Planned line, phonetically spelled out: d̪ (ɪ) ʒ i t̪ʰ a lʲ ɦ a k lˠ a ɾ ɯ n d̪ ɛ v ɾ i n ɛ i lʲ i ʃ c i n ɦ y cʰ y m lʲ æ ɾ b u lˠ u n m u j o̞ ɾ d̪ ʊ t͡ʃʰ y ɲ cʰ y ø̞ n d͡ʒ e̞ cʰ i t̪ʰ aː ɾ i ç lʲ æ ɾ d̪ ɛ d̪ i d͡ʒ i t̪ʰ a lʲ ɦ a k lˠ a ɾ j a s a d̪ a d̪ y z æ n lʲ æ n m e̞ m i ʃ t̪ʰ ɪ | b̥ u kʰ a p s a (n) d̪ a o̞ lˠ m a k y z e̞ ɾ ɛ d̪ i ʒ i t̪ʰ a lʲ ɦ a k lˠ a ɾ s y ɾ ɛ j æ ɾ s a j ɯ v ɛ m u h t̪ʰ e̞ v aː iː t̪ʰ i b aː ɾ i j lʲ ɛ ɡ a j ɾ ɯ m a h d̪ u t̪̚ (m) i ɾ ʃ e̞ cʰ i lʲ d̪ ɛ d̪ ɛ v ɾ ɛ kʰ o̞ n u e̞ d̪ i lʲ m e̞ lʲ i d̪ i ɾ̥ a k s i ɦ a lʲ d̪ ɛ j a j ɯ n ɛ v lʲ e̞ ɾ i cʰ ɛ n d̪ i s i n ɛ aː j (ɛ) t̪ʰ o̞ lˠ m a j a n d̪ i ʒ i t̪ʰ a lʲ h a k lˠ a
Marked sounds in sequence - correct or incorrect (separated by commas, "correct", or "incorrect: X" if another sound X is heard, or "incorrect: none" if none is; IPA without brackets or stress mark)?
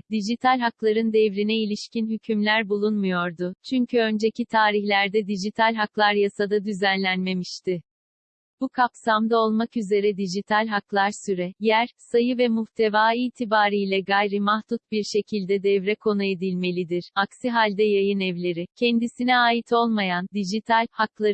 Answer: incorrect: i, incorrect: m, incorrect: b, incorrect: i